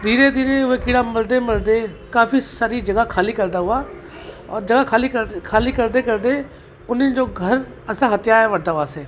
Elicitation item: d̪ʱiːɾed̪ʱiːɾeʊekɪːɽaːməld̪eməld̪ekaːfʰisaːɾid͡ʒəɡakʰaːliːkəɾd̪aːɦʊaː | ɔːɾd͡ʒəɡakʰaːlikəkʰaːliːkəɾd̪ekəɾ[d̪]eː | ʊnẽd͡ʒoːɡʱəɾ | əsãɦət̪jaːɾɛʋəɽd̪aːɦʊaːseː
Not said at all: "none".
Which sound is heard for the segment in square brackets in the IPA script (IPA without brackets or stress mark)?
d̪